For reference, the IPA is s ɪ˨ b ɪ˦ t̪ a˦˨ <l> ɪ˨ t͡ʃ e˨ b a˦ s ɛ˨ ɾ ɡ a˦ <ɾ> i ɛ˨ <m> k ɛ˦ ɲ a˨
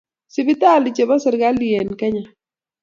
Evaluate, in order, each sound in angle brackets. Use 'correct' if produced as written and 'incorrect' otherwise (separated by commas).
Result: correct, incorrect, incorrect